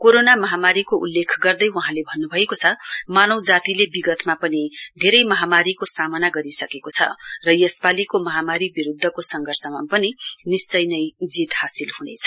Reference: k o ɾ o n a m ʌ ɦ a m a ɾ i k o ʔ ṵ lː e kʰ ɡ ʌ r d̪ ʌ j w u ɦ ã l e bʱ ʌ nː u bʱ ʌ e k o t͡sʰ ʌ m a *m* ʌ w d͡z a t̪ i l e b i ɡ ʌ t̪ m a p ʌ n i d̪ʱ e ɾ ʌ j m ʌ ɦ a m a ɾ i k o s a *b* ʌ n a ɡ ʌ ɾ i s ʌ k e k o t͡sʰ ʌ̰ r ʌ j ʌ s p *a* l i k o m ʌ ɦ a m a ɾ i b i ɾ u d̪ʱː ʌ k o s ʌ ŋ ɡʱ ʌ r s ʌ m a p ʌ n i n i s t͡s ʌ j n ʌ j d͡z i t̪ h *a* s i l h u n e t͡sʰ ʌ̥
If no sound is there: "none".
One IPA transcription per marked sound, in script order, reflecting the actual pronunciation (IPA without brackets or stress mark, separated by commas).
n, m, a, a